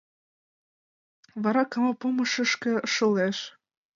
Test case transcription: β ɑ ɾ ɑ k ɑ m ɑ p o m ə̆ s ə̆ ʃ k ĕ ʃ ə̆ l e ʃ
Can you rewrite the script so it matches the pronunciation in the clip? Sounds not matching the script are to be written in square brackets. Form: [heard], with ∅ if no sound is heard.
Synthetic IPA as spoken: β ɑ ɾ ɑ k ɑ m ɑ p o m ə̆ [ʃ] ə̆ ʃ k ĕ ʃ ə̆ l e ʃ